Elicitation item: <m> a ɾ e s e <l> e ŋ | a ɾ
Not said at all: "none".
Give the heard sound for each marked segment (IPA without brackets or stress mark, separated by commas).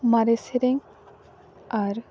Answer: m, ɾ